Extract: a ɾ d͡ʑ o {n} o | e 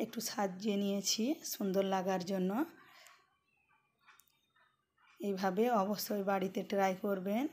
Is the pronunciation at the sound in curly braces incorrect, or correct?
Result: incorrect